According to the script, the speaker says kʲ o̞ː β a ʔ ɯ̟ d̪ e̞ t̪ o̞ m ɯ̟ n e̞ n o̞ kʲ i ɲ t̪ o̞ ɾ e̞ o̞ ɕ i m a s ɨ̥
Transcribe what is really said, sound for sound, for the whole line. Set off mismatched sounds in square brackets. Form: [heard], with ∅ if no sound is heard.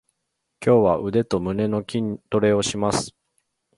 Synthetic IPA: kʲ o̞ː β a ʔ ɯ̟ d̪ e̞ t̪ o̞ m ɯ̟ n e̞ n o̞ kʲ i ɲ t̪ o̞ ɾ e̞ o̞ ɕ i m a s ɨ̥